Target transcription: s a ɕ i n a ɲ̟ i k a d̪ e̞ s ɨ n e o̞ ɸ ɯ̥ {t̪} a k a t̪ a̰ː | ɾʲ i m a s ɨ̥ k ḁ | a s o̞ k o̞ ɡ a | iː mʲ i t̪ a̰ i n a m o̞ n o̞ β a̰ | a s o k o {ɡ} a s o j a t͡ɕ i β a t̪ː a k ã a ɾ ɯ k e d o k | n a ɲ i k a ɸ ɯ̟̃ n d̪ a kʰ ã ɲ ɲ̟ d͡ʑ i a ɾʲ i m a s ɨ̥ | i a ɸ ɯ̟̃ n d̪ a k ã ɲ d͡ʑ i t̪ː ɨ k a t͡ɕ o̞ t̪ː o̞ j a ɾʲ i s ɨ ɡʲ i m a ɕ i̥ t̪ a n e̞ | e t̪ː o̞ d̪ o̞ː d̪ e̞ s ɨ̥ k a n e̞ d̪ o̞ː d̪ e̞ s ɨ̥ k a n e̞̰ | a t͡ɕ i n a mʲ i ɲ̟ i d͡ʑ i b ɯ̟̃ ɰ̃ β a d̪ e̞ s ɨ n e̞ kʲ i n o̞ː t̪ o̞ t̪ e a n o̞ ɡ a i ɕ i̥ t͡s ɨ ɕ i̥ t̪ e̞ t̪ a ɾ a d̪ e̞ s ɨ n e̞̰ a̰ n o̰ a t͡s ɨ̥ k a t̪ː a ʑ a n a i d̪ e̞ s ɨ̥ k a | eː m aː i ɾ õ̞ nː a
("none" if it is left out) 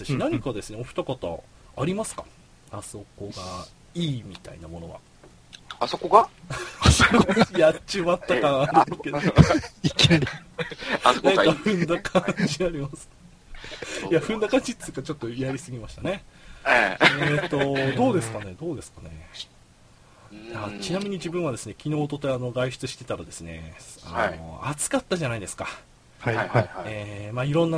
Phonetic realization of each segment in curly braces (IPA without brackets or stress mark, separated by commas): t̪, ɡ